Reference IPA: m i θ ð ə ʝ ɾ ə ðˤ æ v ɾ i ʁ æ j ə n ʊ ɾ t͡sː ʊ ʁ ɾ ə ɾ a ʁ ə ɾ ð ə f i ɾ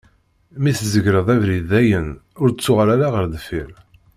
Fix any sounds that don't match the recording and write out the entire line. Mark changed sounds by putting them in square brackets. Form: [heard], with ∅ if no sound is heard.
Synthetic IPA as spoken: m i θ [z] ə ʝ ɾ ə ðˤ æ v ɾ i [ð] æ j ə n ʊ ɾ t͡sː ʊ ʁ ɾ [a] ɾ a ʁ ə ɾ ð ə f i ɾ